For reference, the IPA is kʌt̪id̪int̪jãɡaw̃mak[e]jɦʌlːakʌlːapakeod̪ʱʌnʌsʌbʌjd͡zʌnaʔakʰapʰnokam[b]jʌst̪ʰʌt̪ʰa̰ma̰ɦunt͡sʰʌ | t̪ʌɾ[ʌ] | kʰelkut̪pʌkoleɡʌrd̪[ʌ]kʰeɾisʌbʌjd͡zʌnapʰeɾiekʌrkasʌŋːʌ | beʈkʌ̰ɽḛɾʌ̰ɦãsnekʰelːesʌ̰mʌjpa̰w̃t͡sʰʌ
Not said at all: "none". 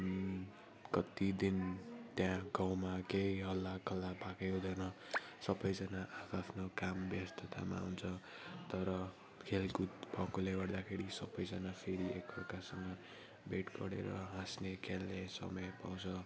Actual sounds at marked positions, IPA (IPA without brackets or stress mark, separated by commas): e, b, ʌ, a